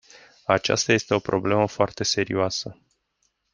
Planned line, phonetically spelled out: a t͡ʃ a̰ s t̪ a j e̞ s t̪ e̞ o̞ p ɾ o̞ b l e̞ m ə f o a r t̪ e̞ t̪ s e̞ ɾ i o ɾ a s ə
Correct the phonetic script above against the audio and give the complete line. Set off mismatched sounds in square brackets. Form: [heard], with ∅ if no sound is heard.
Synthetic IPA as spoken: a t͡ʃ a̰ s t̪ a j e̞ s t̪ e̞ o̞ p ɾ o̞ b l e̞ m ə f o a r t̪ e̞ [∅] s e̞ ɾ i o [∅] a s ə